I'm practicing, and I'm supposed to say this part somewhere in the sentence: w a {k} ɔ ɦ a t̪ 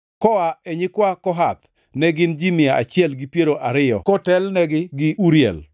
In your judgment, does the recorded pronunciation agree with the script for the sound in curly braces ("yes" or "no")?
yes